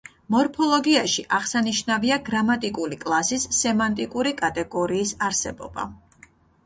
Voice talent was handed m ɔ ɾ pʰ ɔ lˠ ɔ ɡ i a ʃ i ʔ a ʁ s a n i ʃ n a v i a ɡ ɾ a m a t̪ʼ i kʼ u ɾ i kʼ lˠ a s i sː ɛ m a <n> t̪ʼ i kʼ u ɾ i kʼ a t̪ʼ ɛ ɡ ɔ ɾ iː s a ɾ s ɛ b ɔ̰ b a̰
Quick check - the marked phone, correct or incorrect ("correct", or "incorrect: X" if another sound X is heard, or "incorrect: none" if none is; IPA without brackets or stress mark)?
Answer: correct